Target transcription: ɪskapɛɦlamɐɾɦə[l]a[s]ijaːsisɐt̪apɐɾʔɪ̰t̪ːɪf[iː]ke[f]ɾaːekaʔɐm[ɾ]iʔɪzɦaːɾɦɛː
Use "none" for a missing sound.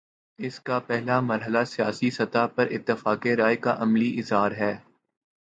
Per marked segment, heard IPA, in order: l, s, aː, none, l

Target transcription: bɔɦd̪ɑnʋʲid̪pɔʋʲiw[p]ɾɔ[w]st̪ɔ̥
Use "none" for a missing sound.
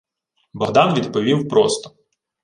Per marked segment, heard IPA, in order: p, none

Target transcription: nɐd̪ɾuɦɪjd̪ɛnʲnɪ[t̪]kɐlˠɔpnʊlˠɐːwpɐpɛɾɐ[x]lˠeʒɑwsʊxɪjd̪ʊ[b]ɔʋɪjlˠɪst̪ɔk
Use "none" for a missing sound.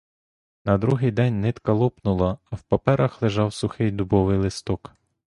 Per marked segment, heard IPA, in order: t̪, x, b

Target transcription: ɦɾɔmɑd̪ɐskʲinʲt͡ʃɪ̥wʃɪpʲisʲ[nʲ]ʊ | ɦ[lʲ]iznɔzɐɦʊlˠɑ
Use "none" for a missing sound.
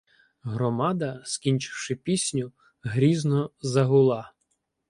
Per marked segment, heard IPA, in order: nʲ, ɾʲ

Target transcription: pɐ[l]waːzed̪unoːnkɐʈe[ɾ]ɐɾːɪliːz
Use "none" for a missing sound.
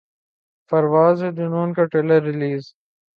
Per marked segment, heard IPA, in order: ɾ, l

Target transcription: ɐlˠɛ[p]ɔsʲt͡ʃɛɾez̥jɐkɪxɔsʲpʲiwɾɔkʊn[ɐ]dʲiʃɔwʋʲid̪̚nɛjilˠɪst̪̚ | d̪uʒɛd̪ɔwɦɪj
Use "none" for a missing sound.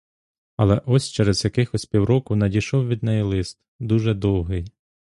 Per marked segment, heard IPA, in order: ʔ, ɐ

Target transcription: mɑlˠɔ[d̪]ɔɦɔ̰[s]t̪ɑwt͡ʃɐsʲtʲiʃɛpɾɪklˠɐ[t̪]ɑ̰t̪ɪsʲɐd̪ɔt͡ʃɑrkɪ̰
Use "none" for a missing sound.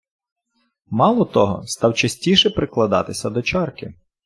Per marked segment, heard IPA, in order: t̪, s, d̪

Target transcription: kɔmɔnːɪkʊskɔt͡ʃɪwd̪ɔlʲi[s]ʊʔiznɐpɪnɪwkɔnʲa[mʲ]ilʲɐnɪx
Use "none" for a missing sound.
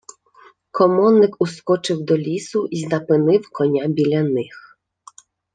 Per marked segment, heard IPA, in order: s, bʲ

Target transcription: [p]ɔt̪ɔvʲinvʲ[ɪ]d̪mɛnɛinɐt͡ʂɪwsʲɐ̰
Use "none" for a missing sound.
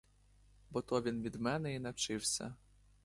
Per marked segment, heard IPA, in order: b, i

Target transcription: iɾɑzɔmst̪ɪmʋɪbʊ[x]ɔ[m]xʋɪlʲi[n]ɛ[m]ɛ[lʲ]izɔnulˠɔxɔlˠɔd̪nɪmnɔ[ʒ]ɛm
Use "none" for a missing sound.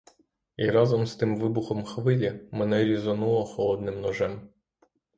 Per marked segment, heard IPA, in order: x, m, m, n, ɾʲ, ʒ

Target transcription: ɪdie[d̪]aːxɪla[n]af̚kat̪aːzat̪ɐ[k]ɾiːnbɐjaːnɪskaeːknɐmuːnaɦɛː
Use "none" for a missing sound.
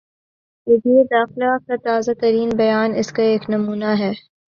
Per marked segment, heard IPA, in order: d̪, none, none

